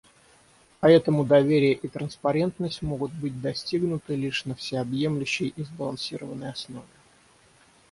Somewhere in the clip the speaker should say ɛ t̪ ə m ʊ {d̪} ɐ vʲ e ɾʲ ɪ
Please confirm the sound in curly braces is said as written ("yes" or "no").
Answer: yes